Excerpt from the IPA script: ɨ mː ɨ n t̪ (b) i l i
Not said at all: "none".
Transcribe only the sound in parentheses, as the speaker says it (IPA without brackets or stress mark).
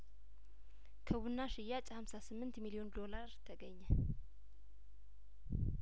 m